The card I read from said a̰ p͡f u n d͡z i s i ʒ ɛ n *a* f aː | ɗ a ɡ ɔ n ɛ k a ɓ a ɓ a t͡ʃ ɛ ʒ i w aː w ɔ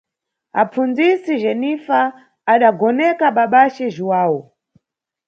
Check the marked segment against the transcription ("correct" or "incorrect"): incorrect